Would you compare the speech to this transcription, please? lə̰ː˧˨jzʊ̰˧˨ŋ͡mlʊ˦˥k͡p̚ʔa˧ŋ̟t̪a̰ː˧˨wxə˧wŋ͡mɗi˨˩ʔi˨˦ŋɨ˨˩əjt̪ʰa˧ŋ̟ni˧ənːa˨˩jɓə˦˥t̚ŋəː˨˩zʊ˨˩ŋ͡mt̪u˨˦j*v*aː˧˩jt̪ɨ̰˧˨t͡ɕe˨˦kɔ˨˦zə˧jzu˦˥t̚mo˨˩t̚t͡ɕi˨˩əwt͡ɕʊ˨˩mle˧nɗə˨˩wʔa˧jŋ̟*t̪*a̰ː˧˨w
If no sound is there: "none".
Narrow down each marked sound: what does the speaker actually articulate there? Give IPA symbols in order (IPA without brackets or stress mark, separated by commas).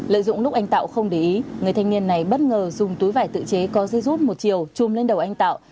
v, t̪